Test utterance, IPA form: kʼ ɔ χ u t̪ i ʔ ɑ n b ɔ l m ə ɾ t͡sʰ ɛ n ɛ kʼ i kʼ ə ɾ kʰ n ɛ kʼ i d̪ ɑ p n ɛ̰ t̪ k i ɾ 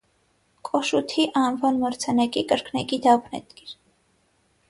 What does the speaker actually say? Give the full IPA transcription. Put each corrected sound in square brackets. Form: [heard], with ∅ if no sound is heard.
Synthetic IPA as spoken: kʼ ɔ [ʃ] u [t̪ʰ] i ʔ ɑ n [v] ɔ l m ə ɾ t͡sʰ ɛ n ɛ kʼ i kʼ ə ɾ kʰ n ɛ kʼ i d̪ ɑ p n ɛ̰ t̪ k i ɾ